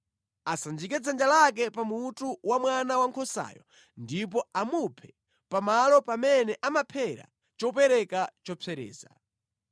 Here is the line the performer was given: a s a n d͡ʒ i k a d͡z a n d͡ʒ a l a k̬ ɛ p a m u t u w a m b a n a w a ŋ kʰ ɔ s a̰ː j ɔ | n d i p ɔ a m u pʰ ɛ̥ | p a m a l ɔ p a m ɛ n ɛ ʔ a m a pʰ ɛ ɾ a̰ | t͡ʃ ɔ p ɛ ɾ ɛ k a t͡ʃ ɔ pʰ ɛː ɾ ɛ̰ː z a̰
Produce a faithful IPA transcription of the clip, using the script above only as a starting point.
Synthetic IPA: a s a n d͡ʒ i k ɛ d͡z a n d͡ʒ a l a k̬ ɛ p a m u t u w a m w a n a w a ŋ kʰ ɔ s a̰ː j ɔ | n d i p ɔ a m u pʰ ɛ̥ | p a m a l ɔ p a m ɛ n ɛ ʔ a m a pʰ ɛ ɾ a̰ | t͡ʃ ɔ p ɛ ɾ ɛ k a t͡ʃ ɔ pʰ ɛ ɾ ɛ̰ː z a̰